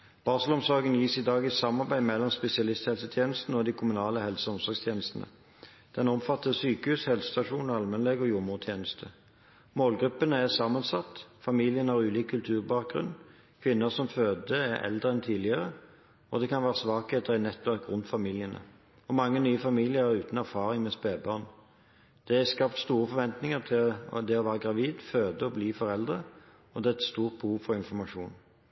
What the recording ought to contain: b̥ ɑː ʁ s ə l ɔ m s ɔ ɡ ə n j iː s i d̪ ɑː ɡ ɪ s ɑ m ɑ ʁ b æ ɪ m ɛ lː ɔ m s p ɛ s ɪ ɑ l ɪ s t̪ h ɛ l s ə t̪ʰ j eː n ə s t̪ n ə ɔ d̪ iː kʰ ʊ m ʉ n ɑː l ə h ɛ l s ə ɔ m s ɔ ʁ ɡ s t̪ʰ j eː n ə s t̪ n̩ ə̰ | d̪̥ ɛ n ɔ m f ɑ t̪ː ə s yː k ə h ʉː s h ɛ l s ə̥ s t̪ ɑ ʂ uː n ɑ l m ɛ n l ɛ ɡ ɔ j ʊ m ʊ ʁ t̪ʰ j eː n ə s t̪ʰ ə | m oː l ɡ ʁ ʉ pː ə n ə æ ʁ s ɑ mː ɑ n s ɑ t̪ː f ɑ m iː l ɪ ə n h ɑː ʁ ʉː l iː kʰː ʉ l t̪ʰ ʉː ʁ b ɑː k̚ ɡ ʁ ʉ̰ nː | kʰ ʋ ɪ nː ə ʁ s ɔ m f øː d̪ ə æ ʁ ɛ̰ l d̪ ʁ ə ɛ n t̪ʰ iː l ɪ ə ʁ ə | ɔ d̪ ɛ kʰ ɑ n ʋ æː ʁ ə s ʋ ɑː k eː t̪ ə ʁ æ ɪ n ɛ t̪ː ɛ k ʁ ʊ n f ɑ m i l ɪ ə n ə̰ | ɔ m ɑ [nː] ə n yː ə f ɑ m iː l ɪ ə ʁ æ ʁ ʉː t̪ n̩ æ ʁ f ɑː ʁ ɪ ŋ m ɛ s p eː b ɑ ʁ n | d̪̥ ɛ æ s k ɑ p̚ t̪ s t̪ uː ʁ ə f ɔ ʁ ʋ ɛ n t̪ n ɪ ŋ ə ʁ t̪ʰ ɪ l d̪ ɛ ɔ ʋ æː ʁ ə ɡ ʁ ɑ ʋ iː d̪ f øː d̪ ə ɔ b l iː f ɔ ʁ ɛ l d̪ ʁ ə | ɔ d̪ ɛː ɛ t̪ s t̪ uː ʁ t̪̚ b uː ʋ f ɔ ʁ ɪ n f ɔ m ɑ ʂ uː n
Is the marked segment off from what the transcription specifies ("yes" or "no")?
yes